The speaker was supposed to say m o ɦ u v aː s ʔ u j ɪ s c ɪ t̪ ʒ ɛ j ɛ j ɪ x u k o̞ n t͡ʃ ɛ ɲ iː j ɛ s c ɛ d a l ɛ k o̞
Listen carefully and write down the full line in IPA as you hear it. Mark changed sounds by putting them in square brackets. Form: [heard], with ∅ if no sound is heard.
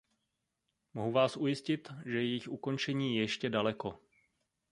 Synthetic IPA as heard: m o ɦ u v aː s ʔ u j ɪ s c ɪ t̪ ʒ ɛ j ɛ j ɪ x u k o̞ n t͡ʃ ɛ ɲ iː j ɛ [ʃ] c ɛ d a l ɛ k o̞